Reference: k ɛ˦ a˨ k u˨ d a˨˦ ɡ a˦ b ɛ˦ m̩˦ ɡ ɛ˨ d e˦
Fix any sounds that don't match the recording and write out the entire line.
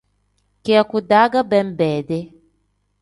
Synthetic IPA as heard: k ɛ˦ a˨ k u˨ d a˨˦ ɡ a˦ b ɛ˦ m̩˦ b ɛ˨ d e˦